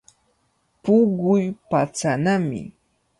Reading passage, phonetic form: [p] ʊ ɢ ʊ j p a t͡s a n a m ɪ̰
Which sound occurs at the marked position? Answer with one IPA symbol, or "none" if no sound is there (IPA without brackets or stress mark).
p